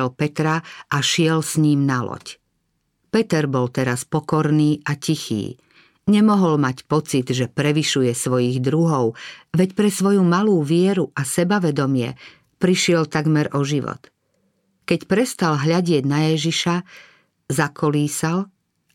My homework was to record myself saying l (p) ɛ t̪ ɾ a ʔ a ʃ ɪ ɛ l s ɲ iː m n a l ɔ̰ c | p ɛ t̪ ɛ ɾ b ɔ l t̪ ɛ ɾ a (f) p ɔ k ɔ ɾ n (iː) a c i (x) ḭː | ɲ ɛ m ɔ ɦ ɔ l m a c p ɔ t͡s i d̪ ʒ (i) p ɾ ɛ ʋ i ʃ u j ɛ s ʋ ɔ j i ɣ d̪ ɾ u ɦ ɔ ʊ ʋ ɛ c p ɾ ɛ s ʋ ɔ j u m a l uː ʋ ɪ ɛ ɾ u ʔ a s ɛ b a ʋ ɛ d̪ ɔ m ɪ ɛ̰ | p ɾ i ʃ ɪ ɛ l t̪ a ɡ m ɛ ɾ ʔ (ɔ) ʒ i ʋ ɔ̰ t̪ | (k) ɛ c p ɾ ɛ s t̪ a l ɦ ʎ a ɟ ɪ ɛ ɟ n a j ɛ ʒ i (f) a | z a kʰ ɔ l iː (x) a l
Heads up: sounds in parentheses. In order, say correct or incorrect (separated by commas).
correct, incorrect, correct, correct, incorrect, correct, correct, incorrect, incorrect